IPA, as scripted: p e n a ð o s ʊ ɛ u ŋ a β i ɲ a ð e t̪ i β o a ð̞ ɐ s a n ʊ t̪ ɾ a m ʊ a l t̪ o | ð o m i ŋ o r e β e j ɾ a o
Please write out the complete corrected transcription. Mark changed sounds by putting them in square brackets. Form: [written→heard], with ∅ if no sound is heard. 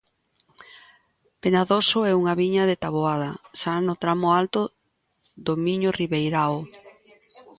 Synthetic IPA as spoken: p e n a ð o s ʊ ɛ u ŋ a β i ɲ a ð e t̪ [i→a] β o a ð̞ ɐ s a n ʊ t̪ ɾ a m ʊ a l t̪ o | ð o m i [ŋ→ɲ] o r [e→i] β e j ɾ a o